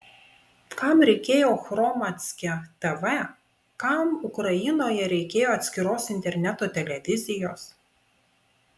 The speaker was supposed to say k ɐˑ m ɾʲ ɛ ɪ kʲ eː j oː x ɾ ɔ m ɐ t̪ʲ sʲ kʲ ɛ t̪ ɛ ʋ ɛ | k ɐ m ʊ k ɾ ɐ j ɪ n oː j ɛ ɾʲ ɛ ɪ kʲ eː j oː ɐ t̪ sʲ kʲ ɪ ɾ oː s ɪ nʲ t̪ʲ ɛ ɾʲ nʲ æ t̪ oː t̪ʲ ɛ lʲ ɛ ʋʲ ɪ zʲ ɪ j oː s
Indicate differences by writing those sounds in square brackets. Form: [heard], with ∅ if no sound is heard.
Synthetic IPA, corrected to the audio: k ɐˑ m ɾʲ ɛ ɪ kʲ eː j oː x ɾ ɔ m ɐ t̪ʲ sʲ kʲ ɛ t̪ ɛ ʋ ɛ | k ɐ m ʊ k ɾ ɐ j ɪ n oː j ɛ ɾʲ ɛ ɪ kʲ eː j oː ɐ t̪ sʲ kʲ ɪ ɾ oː s ɪ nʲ t̪ʲ ɛ ɾʲ nʲ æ t̪ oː t̪ʲ ɛ lʲ ɛ ʋʲ ɪ zʲ ɪ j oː s